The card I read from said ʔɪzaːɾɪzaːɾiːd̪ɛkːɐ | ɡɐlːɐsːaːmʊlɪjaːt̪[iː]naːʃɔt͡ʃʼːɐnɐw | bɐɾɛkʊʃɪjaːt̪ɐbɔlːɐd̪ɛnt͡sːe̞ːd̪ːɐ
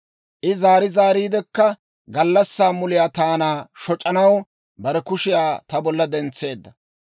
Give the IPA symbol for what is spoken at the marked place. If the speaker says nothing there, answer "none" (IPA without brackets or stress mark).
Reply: aː